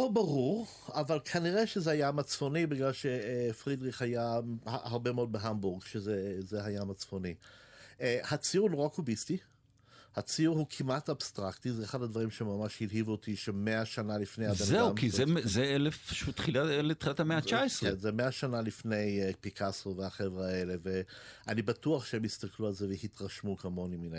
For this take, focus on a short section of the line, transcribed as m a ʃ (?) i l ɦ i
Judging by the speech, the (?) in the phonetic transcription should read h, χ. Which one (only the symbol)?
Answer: h